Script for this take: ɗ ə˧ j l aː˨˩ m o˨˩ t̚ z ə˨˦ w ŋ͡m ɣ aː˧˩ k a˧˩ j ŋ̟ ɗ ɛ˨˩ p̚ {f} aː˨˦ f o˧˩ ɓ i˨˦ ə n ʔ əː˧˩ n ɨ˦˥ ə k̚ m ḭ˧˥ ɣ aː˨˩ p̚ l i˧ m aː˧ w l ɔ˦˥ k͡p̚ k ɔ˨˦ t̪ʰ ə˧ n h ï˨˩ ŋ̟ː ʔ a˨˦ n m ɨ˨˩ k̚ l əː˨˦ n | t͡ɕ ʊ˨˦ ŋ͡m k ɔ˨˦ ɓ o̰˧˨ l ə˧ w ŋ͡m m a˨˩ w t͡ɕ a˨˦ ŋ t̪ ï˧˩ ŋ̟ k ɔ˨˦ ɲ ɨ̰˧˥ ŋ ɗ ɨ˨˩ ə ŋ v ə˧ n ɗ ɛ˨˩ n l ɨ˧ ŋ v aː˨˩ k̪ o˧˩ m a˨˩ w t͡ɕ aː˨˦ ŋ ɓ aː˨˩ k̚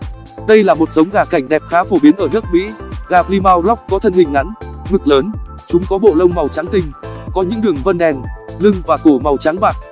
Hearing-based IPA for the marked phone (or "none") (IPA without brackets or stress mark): x